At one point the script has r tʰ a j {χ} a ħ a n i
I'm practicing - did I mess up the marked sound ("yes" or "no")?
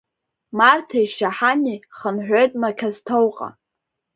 yes